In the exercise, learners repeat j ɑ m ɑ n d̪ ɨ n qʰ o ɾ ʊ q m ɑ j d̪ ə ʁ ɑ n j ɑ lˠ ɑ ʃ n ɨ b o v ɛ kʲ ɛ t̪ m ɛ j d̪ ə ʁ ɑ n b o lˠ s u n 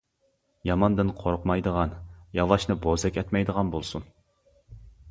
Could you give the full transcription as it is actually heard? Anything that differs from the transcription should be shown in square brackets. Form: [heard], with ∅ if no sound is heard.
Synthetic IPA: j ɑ m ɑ n d̪ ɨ n qʰ o ɾ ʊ q m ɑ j d̪ ə ʁ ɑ n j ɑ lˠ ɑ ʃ n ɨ b o [z] ɛ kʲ ɛ t̪ m ɛ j d̪ ə ʁ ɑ n b o lˠ s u n